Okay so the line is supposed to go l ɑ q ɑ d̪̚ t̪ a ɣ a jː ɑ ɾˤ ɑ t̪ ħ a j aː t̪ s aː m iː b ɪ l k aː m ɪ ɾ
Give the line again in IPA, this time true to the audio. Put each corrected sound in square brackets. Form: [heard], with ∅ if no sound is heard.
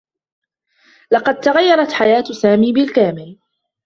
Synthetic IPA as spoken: l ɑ q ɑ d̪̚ t̪ a ɣ a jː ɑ ɾˤ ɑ t̪ ħ a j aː t̪ s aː m iː b ɪ l k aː m ɪ [l]